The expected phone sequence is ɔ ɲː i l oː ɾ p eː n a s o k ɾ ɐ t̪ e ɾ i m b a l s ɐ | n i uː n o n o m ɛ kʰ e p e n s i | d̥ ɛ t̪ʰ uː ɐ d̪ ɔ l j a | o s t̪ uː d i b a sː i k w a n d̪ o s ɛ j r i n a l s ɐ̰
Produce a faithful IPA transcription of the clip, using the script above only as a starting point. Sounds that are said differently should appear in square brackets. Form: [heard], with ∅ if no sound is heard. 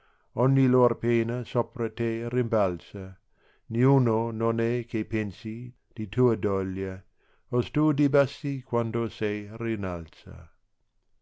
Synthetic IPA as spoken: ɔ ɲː i l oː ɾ p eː n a s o [p] ɾ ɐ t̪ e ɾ i m b a l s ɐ | n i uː n o n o [n] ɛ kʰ e p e n s i | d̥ [i] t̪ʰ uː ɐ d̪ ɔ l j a | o s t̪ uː d i b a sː i k w a n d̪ o s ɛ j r i n a l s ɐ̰

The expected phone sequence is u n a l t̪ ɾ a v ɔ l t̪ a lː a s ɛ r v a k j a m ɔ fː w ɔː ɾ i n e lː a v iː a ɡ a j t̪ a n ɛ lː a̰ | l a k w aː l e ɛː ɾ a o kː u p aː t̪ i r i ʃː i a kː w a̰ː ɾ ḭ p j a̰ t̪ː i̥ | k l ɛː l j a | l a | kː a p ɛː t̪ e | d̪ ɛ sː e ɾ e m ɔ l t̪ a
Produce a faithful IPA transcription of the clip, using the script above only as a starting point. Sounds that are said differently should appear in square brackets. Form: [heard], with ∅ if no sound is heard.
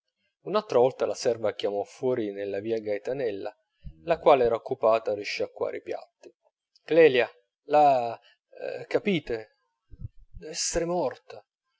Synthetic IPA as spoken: u n a l t̪ ɾ a v ɔ l t̪ a [l] a s ɛ r v a k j a m ɔ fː w ɔː ɾ i n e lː a v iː a ɡ a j t̪ a n ɛ lː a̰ | l a k w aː l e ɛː ɾ a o kː u p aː t̪ [a] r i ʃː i a kː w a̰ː ɾ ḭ p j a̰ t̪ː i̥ | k l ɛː l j a | l a | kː a p [iː] t̪ e | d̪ ɛ sː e ɾ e m ɔ [r] t̪ a

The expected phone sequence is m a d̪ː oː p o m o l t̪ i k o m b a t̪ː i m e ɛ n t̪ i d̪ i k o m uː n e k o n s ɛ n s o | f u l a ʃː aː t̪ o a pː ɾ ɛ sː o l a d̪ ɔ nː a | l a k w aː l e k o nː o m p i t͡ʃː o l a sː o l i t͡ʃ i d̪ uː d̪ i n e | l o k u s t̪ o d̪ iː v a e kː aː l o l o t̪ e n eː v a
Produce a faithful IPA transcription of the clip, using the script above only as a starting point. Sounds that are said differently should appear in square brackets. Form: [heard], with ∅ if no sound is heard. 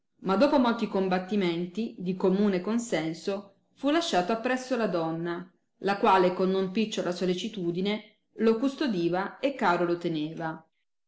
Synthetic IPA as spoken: m a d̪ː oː p o m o l t̪ i k o m b a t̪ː i m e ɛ n t̪ i d̪ i k o m uː n e k o n s ɛ n s o | f u l a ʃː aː t̪ o a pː ɾ ɛ sː o l a d̪ ɔ nː a | l a k w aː l e k o nː o m p i t͡ʃː o l a [s] o l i t͡ʃ i [t̪] uː d̪ i n e | l o k u s t̪ o d̪ iː v a e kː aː [ɾ] o l o t̪ e n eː v a

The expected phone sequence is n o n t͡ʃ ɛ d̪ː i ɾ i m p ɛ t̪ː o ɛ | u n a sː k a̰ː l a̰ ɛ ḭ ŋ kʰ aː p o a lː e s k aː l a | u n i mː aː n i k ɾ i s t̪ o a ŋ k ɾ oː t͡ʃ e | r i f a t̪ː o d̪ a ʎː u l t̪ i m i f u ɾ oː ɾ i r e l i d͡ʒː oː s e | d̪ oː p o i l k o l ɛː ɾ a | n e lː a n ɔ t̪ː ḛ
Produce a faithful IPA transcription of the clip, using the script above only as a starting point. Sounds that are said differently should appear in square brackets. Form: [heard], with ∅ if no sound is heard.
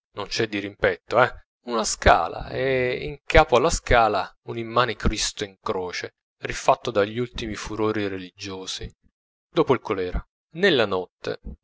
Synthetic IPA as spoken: n o n t͡ʃ ɛ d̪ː i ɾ i m p ɛ t̪ː o ɛ | u n a [s] k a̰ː l a̰ ɛ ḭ ŋ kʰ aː p o a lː [a] s k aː l a | u n i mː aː n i k ɾ i s t̪ o [i] ŋ k ɾ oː t͡ʃ e | r i f a t̪ː o d̪ a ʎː u l t̪ i m i f u ɾ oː ɾ i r e l i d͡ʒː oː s [i] | d̪ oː p o i l k o l ɛː ɾ a | n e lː a n ɔ t̪ː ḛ

